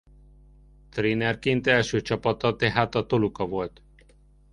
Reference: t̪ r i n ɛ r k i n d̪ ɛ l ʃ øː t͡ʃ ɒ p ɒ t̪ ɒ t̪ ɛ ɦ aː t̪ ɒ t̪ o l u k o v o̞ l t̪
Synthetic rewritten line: t̪ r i n ɛ r k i n t̪ ɛ l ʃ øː t͡ʃ ɒ p ɒ t̪ ɒ t̪ ɛ ɦ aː t̪ ɒ t̪ o l u k ɒ v o̞ l t̪